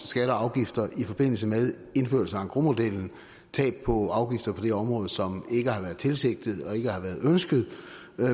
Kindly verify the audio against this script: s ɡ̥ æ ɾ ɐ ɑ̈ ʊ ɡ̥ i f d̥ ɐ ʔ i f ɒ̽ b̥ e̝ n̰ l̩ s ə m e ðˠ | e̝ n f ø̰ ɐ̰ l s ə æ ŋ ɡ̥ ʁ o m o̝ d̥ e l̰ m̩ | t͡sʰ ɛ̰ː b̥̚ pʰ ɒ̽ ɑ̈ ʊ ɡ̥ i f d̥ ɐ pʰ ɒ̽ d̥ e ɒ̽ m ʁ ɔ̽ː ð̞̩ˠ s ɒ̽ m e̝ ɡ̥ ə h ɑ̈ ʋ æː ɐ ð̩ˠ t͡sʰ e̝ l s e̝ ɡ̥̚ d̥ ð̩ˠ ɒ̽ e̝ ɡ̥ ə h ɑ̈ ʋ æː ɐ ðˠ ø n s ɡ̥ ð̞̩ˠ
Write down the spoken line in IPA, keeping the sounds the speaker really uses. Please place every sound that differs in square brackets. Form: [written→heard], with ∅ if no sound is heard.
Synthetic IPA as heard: s ɡ̥ æ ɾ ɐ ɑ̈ ʊ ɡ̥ i f d̥ ɐ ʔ i f ɒ̽ b̥ e̝ n̰ l̩ s ə m e ðˠ | e̝ n f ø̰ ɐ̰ l s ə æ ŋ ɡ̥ ʁ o m o̝ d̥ e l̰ [m̩→n̩] | t͡sʰ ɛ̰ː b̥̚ pʰ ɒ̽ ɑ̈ ʊ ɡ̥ i f d̥ ɐ pʰ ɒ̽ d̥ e ɒ̽ m ʁ ɔ̽ː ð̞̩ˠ s ɒ̽ m e̝ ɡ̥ ə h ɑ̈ ʋ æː ɐ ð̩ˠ t͡sʰ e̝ l s e̝ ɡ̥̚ d̥ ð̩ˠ ɒ̽ e̝ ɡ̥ ə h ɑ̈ ʋ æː ɐ ðˠ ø n s ɡ̥ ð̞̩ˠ